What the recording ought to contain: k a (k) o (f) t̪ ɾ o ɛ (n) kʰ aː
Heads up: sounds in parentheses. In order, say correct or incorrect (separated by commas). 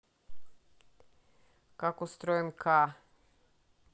correct, incorrect, incorrect